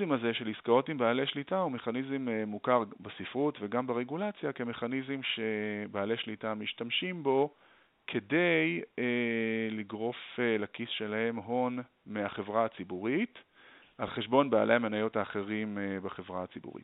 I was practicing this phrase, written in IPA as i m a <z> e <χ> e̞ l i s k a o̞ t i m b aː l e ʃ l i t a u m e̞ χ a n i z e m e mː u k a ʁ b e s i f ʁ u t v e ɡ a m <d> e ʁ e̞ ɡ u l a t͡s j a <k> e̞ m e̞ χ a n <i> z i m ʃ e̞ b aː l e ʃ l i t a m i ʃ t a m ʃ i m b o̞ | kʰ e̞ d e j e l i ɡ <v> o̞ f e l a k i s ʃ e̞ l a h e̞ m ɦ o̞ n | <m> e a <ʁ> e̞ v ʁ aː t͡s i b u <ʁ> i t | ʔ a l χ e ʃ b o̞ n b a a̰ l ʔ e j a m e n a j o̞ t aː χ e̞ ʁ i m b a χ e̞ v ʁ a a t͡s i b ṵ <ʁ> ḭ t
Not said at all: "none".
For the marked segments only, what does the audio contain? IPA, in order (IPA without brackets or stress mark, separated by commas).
z, ʃ, b, k, i, ʁ, m, χ, ʁ, ʁ